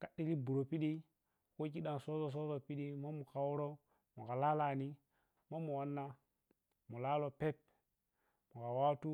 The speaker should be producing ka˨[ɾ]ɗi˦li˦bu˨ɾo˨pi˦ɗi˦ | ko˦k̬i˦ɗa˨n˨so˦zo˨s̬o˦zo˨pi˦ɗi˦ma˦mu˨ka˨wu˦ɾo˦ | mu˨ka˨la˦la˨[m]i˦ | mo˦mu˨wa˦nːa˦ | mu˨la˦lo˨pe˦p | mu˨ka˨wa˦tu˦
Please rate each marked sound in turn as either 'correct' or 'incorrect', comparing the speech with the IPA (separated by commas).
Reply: incorrect, incorrect